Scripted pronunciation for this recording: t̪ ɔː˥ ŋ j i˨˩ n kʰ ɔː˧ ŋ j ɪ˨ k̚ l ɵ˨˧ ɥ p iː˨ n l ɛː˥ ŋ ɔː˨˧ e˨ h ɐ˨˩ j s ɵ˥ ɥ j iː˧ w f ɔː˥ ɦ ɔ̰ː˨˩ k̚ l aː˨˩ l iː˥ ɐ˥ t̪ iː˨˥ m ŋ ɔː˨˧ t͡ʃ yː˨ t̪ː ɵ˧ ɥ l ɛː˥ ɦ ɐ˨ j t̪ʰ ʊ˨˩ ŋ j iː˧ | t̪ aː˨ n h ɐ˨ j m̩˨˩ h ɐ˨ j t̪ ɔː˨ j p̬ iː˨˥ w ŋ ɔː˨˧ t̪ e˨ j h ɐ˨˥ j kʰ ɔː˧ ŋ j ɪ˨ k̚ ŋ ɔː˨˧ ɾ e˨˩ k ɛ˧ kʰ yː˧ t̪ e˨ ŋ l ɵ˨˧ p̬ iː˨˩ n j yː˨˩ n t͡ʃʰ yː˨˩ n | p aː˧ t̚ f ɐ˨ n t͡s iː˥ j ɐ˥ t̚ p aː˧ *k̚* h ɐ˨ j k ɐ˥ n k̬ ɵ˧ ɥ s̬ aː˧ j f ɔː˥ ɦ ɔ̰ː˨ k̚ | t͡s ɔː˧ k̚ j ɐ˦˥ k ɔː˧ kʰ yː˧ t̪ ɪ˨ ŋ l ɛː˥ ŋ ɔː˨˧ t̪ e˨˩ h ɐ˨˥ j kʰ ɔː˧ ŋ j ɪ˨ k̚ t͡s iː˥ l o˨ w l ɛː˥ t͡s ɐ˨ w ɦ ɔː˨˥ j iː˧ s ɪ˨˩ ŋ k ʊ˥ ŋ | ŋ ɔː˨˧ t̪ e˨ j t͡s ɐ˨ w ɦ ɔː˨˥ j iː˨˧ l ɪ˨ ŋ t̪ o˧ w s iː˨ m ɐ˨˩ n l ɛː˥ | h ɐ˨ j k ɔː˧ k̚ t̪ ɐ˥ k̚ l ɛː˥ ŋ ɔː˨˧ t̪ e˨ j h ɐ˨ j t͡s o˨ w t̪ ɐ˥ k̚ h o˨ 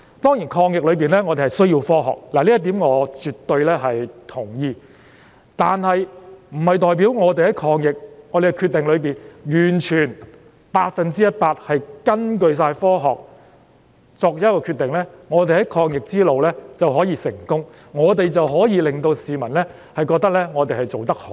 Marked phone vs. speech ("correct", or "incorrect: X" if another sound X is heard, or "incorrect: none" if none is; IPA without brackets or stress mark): incorrect: t̚